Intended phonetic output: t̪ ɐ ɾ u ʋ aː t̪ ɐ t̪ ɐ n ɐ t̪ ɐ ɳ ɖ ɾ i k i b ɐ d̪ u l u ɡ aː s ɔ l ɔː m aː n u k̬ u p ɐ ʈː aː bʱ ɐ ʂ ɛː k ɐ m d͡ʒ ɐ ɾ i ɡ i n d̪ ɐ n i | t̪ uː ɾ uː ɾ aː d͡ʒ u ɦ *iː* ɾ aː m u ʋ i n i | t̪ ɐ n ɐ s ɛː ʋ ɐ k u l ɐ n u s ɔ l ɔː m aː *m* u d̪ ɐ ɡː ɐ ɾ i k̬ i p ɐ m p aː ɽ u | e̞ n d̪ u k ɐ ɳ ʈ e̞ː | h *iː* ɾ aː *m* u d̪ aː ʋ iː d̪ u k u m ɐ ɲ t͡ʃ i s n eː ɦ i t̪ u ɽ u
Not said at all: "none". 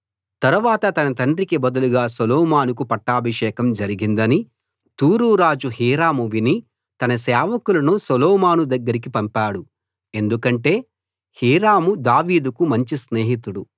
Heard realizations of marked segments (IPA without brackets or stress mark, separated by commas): iː, n, iː, m